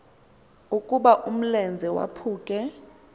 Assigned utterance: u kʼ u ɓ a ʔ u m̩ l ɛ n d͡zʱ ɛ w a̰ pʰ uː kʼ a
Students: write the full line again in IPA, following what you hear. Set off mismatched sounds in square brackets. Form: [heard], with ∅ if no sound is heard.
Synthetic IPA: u kʼ u ɓ a ʔ u m̩ l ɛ n d͡zʱ ɛ w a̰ pʰ uː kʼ [ɛ]

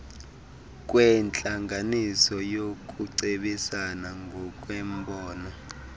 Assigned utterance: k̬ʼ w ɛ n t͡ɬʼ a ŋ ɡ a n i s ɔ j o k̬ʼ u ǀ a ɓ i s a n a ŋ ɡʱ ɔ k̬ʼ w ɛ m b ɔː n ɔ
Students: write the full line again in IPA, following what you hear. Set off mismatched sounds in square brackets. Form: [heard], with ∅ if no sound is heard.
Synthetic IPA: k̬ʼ w ɛ n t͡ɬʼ a ŋ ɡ a n i s ɔ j o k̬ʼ u ǀ [e] ɓ i s a n a ŋ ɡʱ ɔ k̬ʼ w ɛ m b ɔː n ɔ

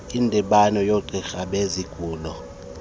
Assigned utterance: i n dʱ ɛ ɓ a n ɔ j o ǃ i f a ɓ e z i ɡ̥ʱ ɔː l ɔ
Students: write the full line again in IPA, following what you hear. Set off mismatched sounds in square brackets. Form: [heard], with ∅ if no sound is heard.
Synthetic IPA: i n dʱ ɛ ɓ a n ɔ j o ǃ i [x] a ɓ e z i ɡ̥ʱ [uː] l ɔ

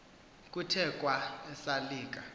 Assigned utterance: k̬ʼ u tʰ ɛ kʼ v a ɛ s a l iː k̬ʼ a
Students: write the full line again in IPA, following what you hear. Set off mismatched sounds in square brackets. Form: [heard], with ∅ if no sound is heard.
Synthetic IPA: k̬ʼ u tʰ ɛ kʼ [w] a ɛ s a l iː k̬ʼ a

